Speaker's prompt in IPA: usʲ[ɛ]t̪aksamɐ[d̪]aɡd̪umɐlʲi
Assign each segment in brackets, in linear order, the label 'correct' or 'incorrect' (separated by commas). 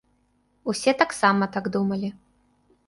correct, incorrect